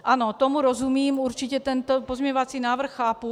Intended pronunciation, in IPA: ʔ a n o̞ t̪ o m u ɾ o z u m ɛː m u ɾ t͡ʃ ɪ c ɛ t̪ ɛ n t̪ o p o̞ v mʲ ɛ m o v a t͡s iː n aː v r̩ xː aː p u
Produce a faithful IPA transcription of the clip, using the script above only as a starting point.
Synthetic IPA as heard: ʔ a n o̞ t̪ o m u ɾ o z u m iː m u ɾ t͡ʃ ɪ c ɛ t̪ ɛ n t̪ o p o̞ z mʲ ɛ ɲ o v a t͡s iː n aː v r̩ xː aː p u